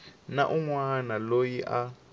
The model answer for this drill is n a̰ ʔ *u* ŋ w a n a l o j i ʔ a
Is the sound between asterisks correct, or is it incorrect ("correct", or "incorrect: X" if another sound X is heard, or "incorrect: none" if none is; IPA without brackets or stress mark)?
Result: correct